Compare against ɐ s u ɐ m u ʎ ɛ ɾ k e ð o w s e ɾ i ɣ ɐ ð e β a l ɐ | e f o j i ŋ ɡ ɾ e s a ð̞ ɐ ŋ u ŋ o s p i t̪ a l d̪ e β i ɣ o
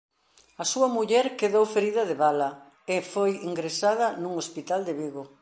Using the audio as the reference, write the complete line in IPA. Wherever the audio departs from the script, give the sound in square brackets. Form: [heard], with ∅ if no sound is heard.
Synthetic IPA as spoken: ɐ s u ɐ m u ʎ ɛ ɾ k e ð o w [f] e ɾ i [ð] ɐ ð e β a l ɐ | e f o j i ŋ ɡ ɾ e s a ð̞ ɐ [n] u ŋ o s p i t̪ a l d̪ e β i ɣ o